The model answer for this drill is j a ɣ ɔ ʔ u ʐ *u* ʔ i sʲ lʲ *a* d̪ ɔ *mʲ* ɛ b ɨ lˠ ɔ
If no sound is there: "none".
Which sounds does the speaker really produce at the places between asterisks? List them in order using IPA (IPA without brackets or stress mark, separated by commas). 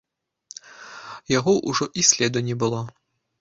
ɔ, ɛ, nʲ